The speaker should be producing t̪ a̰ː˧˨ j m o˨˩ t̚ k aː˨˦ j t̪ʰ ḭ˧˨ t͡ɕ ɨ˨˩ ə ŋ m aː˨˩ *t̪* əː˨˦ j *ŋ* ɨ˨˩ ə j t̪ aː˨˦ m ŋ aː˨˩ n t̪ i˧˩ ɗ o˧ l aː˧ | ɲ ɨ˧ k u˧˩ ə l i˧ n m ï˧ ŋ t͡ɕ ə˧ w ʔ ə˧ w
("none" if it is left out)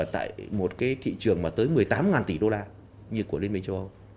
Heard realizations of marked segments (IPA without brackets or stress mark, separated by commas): t̪, m